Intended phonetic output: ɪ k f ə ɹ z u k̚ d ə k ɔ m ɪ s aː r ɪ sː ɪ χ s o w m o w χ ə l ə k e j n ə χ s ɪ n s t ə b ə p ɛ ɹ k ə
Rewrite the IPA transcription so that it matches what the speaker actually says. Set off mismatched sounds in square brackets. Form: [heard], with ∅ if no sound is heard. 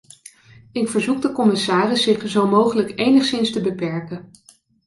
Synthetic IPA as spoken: ɪ k f ə ɹ z u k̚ d ə k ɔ m ɪ s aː r ɪ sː ɪ χ [z] o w m o w χ ə l ə k e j n ə χ s ɪ n s t ə b ə p ɛ ɹ k ə